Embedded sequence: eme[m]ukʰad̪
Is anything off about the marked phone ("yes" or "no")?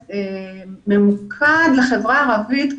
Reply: no